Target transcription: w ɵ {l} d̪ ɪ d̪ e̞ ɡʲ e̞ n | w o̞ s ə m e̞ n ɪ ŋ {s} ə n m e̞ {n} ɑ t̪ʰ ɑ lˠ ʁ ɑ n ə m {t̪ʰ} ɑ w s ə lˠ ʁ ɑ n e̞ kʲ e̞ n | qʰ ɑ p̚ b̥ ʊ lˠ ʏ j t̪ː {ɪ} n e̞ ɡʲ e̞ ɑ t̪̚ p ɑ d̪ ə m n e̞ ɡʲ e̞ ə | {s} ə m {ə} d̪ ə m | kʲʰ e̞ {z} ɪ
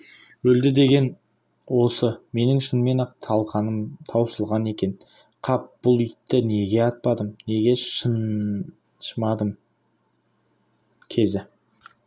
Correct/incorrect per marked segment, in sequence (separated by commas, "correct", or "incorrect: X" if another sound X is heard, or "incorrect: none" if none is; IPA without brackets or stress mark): correct, incorrect: ʃ, correct, correct, correct, incorrect: ʃ, incorrect: ɑ, correct